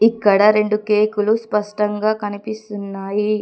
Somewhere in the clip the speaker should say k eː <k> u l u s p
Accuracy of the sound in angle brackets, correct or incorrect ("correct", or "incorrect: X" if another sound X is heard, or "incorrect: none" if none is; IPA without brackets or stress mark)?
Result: correct